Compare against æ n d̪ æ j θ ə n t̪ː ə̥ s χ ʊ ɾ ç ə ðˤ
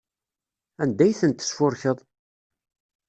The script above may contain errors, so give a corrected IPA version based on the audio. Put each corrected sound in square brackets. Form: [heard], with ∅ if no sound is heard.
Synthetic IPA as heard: æ n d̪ æ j θ ə n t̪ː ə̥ s [f] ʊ ɾ ç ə ðˤ